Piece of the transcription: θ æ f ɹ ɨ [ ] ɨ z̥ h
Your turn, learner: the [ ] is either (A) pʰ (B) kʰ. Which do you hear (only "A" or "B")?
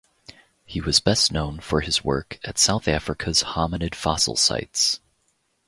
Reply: B